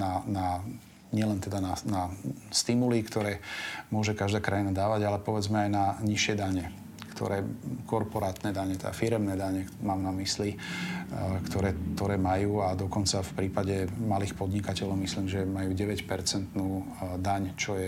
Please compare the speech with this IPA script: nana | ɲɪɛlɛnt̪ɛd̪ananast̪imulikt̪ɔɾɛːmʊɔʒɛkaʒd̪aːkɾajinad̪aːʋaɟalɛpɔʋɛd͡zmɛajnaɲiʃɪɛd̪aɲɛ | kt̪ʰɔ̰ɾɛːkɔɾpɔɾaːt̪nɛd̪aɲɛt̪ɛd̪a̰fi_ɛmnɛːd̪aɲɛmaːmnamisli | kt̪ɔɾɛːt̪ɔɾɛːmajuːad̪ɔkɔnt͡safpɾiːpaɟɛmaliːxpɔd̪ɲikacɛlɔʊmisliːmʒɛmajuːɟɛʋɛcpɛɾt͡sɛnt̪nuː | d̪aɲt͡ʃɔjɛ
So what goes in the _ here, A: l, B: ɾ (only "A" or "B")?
B